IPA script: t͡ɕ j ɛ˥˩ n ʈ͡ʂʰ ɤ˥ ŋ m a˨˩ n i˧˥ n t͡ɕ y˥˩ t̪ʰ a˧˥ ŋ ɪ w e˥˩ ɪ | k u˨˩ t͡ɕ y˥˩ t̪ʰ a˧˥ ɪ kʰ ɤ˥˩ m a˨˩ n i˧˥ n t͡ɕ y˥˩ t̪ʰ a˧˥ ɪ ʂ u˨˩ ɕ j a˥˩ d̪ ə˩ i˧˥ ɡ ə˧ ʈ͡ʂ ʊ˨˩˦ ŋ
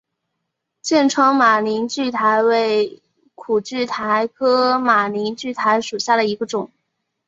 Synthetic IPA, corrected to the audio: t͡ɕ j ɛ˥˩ n ʈ͡ʂʰ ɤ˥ ŋ m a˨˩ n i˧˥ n t͡ɕ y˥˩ t̪ʰ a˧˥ ɪ w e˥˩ ɪ | kʰ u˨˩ t͡ɕ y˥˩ t̪ʰ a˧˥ ɪ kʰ ɤ˥ m a˨˩ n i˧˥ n t͡ɕ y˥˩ t̪ʰ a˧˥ ɪ ʂ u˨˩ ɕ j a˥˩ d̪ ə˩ i˧˥ ɡ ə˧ ʈ͡ʂ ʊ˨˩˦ ŋ